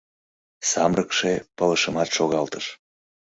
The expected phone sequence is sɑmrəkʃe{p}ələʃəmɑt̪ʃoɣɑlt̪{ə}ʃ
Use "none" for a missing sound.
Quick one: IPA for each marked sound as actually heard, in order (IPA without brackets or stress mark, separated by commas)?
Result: p, ə